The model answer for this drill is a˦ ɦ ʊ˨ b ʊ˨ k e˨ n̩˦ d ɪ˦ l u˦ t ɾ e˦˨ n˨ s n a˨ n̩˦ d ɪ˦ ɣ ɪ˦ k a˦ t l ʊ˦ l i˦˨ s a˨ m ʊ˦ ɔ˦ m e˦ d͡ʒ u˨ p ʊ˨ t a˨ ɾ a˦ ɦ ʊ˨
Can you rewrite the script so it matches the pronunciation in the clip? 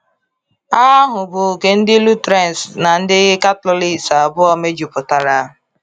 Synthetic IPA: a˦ ɦ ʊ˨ b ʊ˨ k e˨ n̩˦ d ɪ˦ l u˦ t ɾ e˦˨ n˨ s n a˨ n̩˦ d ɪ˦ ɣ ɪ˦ k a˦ t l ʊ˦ l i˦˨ s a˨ b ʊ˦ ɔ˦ m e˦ d͡ʒ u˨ p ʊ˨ t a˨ ɾ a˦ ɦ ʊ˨